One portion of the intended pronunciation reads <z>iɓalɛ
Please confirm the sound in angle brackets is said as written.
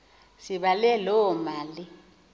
no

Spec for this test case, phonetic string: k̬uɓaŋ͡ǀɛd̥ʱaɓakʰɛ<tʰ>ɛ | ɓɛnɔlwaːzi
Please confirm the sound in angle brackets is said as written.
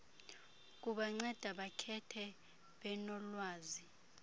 yes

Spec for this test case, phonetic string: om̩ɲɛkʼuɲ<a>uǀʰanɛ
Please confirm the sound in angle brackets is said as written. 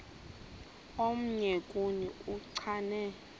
no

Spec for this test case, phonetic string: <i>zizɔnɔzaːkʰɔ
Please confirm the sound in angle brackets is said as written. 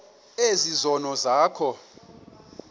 no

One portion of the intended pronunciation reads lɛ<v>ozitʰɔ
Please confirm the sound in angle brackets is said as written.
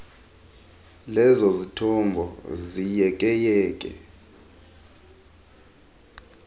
no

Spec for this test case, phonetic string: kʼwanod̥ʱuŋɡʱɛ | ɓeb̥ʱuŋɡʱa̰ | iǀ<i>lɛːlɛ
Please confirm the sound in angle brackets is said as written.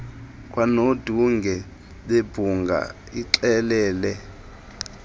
no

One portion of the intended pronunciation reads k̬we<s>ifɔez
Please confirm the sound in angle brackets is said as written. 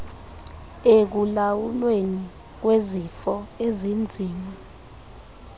no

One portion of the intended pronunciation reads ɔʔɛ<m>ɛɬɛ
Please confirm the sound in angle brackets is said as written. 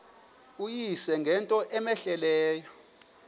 yes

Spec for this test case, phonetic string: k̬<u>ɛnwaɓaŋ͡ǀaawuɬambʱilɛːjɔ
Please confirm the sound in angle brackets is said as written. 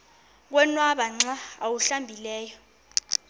no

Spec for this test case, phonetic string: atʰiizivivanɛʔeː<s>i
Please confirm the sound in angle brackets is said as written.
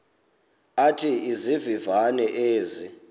no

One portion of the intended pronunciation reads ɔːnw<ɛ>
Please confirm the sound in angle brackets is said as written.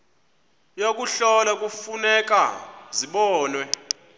yes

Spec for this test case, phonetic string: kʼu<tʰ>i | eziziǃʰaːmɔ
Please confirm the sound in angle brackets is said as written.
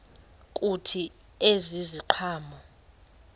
yes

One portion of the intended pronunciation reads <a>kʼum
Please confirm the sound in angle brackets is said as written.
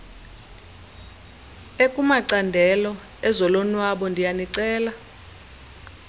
no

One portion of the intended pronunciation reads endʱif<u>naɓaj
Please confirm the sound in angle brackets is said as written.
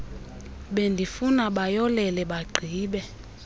yes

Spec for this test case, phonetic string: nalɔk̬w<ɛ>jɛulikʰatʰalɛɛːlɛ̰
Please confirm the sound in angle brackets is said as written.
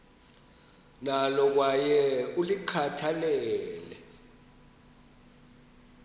no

